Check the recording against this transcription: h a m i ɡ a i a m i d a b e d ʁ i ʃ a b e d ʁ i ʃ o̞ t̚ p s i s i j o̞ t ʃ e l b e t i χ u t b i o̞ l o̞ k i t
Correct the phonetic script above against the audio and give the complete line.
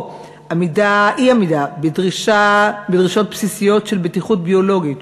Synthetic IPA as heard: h a m i d a i a m i d a b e d ʁ i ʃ a b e d ʁ i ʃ o̞ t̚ p s i s i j o̞ t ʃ e l b e t i χ u t b i o̞ l o̞ ɡ i t